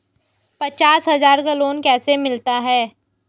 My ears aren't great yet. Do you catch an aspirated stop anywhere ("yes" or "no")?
no